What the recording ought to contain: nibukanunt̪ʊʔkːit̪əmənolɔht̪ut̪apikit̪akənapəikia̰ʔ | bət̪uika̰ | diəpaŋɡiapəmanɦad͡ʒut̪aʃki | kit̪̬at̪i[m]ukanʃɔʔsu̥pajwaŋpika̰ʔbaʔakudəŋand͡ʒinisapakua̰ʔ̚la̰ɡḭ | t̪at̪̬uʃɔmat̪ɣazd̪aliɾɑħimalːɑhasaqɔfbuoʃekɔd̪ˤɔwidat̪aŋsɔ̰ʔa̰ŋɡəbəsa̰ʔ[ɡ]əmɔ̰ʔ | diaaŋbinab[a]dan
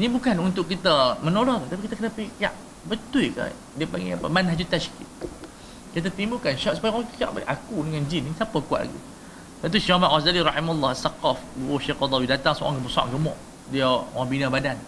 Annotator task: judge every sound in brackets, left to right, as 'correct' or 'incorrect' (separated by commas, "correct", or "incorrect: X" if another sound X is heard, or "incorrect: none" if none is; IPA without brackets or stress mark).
correct, correct, correct